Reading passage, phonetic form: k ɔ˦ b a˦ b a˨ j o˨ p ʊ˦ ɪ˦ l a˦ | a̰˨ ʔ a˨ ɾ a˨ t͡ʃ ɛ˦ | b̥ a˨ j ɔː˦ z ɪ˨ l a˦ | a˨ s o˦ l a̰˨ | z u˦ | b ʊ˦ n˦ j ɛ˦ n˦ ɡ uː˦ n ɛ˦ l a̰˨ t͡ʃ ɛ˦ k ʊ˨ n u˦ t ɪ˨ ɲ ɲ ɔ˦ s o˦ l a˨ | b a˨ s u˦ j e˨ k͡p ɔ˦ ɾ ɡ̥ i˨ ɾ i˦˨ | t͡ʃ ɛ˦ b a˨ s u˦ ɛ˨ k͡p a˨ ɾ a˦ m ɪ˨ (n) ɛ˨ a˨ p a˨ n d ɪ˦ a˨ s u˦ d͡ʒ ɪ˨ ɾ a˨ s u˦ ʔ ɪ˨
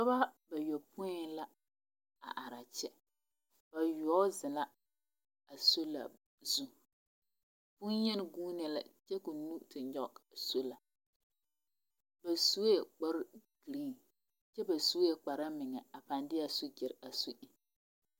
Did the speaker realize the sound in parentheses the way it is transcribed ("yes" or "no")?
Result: no